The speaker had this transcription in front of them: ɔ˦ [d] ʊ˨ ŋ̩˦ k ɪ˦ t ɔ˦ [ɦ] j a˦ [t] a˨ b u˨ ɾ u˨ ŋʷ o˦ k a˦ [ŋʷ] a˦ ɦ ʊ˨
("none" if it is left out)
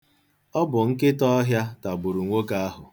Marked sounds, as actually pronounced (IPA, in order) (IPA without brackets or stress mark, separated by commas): b, ɦ, t, none